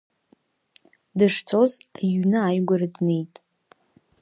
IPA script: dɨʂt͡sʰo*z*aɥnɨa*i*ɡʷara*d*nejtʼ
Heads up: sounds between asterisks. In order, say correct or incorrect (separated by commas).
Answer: correct, incorrect, correct